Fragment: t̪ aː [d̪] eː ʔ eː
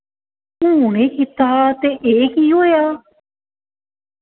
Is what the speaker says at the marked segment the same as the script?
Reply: no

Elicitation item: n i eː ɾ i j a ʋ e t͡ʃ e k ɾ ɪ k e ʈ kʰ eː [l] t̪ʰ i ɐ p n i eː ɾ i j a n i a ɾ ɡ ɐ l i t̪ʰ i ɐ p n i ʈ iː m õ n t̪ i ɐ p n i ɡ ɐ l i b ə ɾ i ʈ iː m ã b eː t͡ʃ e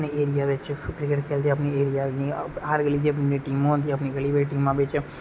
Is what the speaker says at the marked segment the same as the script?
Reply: yes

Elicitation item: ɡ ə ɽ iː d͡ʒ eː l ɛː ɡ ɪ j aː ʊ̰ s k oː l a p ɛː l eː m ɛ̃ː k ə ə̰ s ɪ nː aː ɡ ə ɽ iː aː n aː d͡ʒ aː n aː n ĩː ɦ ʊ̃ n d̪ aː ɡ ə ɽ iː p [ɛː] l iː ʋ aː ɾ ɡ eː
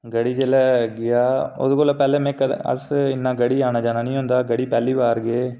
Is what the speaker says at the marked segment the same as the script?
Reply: yes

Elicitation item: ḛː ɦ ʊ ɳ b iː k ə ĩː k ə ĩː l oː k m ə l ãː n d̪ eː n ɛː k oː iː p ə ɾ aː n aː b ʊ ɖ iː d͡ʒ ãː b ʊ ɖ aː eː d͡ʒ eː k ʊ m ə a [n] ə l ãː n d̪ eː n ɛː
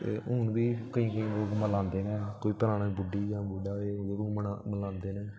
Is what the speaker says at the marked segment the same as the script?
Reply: no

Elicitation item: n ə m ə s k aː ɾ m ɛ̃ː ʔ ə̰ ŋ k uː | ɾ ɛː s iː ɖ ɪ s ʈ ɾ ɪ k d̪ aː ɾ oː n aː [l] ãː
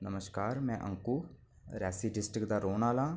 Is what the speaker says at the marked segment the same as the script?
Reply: yes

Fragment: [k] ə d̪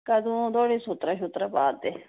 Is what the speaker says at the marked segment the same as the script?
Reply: yes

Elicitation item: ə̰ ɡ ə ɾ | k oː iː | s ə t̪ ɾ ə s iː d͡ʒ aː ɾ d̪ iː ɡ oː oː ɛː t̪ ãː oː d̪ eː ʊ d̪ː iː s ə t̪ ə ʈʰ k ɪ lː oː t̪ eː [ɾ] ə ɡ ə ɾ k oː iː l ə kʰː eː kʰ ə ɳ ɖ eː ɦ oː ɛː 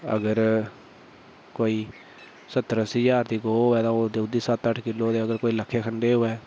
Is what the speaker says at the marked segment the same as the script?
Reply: no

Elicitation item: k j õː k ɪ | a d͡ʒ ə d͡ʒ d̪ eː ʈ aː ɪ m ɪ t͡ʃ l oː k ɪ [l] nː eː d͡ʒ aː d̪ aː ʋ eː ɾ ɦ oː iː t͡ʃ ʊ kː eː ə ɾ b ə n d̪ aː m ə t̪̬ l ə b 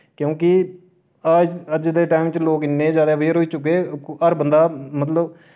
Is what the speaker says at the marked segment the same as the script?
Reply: no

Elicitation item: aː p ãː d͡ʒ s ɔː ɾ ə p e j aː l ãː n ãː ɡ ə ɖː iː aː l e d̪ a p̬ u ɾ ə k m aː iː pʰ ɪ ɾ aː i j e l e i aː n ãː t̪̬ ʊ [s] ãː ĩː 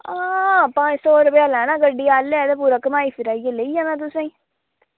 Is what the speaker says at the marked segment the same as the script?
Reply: yes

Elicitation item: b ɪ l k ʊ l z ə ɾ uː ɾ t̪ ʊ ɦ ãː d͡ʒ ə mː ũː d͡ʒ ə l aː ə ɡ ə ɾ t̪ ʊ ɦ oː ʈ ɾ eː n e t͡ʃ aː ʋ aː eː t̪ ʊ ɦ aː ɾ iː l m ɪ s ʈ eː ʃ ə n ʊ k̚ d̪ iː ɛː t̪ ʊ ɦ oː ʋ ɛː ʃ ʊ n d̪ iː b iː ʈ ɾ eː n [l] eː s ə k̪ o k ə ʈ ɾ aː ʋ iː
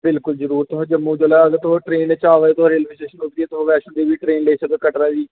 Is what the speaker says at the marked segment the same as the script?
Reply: yes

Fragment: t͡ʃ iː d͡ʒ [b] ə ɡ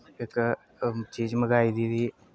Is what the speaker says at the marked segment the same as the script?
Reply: no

